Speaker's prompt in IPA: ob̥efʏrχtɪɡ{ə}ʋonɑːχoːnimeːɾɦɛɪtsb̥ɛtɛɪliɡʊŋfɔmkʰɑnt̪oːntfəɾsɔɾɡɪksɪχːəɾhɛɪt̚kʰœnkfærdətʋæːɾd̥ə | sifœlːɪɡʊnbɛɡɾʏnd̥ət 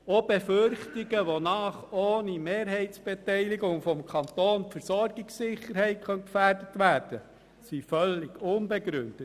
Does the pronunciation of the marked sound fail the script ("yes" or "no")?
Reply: no